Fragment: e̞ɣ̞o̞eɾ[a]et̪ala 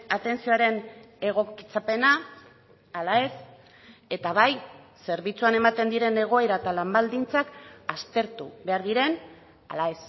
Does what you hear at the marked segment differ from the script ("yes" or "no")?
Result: no